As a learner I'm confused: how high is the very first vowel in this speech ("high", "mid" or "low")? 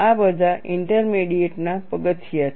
low